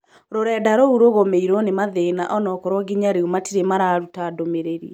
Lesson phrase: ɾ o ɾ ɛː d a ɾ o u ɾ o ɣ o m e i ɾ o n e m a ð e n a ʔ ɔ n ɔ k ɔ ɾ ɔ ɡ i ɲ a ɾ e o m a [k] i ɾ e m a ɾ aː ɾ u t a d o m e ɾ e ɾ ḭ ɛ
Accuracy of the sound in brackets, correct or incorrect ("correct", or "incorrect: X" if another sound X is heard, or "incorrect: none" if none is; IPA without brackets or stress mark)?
incorrect: t